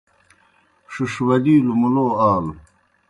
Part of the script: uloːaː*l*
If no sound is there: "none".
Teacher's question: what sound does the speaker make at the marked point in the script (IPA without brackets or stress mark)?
l